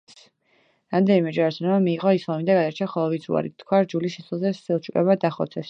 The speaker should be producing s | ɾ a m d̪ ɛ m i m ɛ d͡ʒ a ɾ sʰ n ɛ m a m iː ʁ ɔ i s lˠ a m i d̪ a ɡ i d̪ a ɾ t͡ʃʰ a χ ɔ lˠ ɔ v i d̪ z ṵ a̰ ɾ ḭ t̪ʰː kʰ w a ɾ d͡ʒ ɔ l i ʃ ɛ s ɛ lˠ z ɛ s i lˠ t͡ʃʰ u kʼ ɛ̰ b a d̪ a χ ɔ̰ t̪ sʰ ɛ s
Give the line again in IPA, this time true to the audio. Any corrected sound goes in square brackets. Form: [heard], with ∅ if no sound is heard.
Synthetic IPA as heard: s | ɾ a m d̪ ɛ [n] i m ɛ d͡ʒ a ɾ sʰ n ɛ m a m iː ʁ ɔ i s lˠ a m i d̪ a ɡ [a] d̪ a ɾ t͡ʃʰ a χ ɔ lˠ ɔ v i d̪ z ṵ a̰ ɾ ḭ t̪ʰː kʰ w a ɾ d͡ʒ [u] l i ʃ ɛ s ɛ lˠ z ɛ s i lˠ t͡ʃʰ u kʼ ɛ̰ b a d̪ a χ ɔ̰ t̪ sʰ ɛ s